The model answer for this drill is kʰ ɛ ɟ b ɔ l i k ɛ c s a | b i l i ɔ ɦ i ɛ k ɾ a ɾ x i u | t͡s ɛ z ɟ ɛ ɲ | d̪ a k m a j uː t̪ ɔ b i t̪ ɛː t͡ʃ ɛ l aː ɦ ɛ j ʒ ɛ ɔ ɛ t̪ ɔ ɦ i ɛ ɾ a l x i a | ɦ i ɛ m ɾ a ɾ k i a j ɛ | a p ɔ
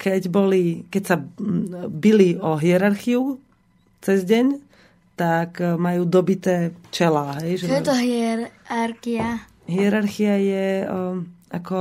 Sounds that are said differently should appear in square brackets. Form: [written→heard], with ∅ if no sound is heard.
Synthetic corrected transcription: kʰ ɛ ɟ b ɔ l i k ɛ c s a | b i l i ɔ ɦ i ɛ [k→∅] ɾ a ɾ x i u | t͡s ɛ z ɟ ɛ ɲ | [d̪→t̪] a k m a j uː [t̪→d̪] ɔ b i t̪ ɛː t͡ʃ ɛ l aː ɦ ɛ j ʒ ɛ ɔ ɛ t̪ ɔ ɦ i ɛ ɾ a [l→ɾ] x i a | ɦ i ɛ [m→∅] ɾ a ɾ [k→x] i a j ɛ | a [p→k] ɔ